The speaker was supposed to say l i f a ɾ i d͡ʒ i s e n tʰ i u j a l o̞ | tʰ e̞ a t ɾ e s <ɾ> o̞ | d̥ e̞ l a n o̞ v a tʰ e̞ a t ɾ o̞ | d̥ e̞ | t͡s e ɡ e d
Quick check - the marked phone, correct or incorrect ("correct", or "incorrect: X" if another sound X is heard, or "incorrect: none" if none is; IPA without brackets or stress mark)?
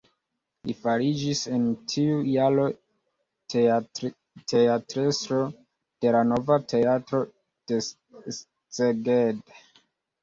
correct